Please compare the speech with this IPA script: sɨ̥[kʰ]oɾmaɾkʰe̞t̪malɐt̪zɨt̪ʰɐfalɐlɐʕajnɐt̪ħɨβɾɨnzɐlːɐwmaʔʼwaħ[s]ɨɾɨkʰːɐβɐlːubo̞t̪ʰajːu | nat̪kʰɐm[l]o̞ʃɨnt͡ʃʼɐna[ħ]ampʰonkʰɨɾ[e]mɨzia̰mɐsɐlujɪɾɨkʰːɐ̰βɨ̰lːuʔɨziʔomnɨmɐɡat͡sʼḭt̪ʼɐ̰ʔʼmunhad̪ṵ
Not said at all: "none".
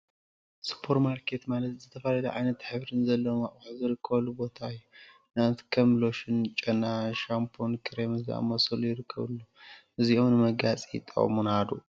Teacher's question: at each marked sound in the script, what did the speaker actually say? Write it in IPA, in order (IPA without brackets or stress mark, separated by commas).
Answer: pʰ, z, l, ʃ, e